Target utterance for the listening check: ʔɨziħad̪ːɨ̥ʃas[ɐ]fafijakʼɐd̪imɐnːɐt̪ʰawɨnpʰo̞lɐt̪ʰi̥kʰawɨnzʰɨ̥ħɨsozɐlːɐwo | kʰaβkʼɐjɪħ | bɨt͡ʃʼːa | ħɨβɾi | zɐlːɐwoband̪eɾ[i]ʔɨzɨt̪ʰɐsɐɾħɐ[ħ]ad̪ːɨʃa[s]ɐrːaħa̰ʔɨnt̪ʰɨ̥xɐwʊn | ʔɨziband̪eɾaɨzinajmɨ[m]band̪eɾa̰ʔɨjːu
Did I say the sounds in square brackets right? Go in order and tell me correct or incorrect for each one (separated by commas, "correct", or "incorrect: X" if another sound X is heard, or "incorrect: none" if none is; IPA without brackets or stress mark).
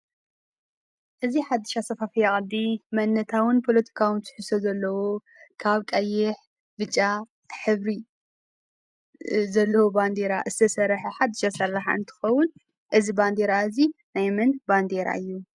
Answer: correct, incorrect: a, correct, correct, incorrect: n